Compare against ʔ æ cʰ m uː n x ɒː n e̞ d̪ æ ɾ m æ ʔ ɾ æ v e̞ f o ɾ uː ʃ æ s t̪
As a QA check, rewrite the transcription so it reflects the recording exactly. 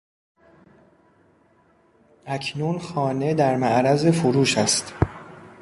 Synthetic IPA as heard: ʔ æ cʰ n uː n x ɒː n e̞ d̪ æ ɾ m æ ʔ ɾ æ z e̞ f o ɾ uː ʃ æ s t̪